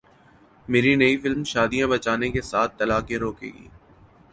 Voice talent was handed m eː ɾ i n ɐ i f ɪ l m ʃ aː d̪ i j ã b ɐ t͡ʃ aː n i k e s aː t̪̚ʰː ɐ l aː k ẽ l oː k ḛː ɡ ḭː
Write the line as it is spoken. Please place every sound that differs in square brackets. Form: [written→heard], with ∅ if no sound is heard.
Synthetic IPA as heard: m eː ɾ i n ɐ i f ɪ l m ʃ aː d̪ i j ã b ɐ t͡ʃ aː n [i→e] k e s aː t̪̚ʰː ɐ l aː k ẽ [l→ɾ] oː k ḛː ɡ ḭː